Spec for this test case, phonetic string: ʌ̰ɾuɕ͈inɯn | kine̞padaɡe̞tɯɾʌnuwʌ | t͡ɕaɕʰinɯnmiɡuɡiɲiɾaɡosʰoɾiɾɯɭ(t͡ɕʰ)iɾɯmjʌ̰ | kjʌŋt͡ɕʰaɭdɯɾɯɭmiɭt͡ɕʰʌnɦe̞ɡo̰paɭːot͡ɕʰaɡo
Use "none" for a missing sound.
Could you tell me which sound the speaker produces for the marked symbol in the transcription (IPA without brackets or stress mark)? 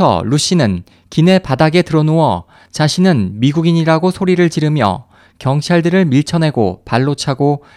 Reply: t͡ɕ